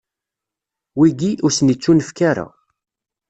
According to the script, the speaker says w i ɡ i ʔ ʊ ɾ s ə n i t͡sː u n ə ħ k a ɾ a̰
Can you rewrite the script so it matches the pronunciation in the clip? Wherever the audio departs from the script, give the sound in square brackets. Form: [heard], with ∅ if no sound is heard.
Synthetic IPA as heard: w i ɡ i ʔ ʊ ɾ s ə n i t͡sː u n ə [f] k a ɾ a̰